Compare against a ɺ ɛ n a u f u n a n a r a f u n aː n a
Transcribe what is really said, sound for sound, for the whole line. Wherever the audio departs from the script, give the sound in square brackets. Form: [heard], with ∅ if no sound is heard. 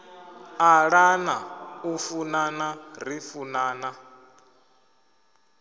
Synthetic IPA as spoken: a ɺ [a] n a u f u n a n a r [i] f u n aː n a